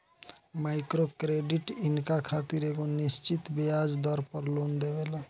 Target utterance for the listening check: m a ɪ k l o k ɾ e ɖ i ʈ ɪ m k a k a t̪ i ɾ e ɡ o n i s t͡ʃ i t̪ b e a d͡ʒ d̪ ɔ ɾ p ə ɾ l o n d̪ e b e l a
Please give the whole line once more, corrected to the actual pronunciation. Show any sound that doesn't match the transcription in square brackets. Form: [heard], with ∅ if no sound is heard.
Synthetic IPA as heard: m a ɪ k [ɾ] o k ɾ e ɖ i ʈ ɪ [n] k a [kʰ] a t̪ i ɾ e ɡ o n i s t͡ʃ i t̪ b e a d͡ʒ d̪ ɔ ɾ p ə ɾ l o n d̪ e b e l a